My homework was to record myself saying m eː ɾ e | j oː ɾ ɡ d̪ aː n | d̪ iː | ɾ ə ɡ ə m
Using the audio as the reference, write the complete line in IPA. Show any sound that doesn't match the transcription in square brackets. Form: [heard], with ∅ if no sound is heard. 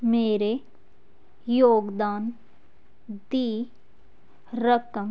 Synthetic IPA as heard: m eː ɾ e | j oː [∅] ɡ d̪ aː n | d̪ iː | ɾ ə [k] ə m